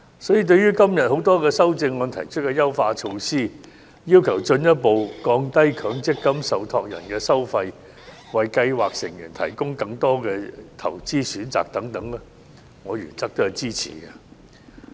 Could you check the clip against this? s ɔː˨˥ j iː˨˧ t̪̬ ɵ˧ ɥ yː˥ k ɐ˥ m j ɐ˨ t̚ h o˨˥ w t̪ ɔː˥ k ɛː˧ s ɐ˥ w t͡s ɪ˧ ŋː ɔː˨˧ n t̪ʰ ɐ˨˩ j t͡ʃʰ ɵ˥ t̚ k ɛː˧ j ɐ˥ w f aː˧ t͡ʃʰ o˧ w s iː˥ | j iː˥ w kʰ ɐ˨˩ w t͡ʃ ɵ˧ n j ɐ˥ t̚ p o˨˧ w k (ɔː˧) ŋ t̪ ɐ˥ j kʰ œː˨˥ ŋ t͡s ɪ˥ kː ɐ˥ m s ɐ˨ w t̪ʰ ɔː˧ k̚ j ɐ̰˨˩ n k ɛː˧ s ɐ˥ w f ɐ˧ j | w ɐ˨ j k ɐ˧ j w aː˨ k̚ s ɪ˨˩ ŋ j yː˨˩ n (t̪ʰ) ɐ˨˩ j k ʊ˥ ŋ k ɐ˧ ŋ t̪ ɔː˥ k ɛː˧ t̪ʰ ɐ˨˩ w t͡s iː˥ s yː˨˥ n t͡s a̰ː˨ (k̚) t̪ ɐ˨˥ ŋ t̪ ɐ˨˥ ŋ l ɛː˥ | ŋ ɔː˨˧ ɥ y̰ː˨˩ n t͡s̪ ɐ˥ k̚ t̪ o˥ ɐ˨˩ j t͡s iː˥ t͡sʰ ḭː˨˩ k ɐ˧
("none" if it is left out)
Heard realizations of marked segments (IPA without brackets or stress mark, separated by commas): ɔː˧, t̪ʰ, k̚